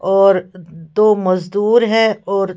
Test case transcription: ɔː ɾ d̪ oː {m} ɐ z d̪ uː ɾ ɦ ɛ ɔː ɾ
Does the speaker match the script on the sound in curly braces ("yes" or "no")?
yes